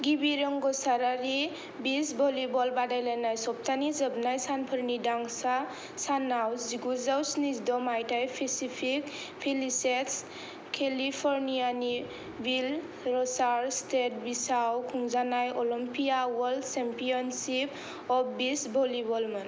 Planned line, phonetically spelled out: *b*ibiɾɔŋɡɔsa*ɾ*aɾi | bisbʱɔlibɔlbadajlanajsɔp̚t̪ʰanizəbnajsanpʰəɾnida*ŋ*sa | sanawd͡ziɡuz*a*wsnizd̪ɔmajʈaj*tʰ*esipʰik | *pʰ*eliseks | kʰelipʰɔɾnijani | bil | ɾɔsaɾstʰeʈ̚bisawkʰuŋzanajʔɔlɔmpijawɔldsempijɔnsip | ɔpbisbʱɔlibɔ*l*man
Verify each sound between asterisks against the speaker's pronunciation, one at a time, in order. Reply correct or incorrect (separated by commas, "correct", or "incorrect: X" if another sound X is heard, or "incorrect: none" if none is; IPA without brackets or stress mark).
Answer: incorrect: ɡ, correct, correct, correct, incorrect: pʰ, correct, correct